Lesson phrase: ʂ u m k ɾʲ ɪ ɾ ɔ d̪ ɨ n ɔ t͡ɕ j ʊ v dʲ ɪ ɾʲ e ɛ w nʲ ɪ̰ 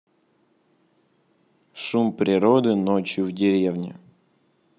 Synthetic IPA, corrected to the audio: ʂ u m p ɾʲ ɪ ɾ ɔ d̪ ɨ n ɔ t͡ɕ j ʊ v dʲ ɪ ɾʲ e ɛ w nʲ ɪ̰